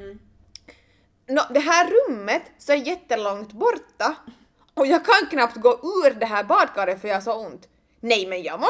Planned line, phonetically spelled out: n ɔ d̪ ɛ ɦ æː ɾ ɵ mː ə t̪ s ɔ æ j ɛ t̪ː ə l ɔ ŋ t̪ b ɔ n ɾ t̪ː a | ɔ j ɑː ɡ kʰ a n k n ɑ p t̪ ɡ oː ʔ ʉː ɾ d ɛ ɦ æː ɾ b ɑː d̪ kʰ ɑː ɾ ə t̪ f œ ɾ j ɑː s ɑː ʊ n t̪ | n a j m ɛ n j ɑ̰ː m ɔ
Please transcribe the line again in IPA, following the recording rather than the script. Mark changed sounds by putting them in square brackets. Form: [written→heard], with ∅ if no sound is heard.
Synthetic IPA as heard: n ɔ d̪ ɛ ɦ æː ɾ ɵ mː ə t̪ s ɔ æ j ɛ t̪ː ə l ɔ ŋ t̪ b ɔ [n→∅] ɾ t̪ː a | ɔ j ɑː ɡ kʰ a n k n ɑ p t̪ ɡ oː ʔ ʉː ɾ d ɛ ɦ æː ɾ b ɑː d̪ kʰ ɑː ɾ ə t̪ f œ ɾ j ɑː s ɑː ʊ n t̪ | n [a→ɛ] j m ɛ n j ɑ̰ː m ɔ